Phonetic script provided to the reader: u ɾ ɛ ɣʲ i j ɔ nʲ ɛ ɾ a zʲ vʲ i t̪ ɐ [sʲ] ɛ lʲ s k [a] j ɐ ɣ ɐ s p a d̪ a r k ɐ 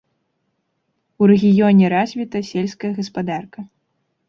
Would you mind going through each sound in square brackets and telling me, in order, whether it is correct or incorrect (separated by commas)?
correct, incorrect